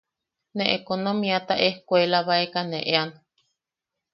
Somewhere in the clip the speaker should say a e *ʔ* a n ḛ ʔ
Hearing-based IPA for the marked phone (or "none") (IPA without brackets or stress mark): k